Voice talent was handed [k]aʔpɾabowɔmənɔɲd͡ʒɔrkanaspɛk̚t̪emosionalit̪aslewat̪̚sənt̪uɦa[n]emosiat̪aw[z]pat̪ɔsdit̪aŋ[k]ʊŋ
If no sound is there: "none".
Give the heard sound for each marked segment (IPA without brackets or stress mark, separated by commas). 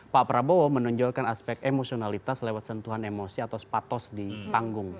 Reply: p, n, s, ɡ